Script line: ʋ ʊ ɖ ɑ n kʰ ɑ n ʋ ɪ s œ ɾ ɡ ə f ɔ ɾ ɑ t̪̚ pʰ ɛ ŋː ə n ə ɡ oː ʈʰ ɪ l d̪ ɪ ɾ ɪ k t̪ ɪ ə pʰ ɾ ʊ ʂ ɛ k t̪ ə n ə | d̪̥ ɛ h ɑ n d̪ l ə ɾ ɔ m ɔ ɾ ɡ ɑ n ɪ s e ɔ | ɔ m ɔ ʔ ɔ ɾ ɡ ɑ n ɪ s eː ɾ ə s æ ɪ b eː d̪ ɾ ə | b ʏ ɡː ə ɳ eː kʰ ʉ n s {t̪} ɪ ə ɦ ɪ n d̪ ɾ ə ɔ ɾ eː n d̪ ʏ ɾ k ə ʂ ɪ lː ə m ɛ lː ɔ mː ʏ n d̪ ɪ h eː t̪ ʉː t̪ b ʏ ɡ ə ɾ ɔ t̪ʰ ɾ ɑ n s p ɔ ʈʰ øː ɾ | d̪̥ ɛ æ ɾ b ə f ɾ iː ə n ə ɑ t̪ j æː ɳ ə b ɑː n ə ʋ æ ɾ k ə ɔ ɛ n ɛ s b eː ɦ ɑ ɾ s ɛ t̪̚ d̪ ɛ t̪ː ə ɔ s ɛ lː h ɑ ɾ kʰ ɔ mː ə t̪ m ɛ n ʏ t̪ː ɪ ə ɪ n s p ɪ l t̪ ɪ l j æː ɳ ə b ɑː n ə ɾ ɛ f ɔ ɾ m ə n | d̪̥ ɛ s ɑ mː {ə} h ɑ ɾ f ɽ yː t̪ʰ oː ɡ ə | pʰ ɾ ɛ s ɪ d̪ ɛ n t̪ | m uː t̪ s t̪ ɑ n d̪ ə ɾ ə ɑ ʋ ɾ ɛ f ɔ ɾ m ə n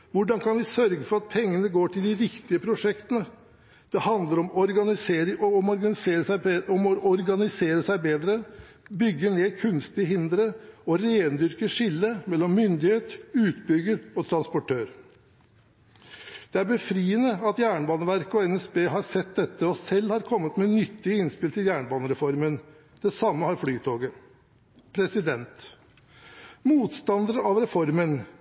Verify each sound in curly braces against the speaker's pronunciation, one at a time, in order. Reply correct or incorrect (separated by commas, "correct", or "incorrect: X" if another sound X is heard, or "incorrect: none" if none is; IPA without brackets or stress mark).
correct, correct